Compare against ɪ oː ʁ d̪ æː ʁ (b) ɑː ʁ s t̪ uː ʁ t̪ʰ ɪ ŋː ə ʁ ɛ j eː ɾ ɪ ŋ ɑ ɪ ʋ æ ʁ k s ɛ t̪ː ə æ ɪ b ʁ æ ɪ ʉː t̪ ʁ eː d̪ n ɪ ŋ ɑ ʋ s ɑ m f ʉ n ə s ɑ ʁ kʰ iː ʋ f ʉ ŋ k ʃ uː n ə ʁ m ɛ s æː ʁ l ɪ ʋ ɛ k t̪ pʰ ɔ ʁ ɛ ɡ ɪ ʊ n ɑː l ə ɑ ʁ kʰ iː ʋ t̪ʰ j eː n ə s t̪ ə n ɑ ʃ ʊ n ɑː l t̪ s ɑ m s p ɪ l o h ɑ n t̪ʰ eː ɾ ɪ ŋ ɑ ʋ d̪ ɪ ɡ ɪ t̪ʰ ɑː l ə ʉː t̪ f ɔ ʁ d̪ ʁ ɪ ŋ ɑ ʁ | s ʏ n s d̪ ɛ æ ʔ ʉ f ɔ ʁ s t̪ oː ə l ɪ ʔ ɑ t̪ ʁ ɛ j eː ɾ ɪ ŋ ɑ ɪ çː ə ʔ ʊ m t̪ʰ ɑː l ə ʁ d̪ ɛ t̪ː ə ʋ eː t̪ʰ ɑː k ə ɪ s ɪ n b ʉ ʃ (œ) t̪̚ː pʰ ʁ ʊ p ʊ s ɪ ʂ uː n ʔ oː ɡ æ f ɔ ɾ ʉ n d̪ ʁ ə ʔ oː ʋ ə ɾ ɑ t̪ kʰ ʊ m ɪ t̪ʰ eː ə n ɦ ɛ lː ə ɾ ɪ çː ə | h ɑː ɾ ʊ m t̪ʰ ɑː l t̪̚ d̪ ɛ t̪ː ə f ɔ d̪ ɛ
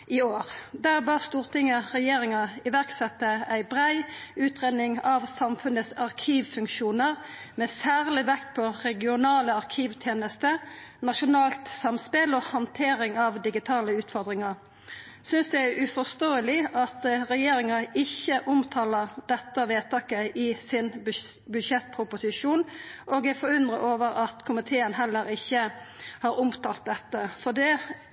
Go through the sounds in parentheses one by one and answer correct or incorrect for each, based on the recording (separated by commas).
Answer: correct, incorrect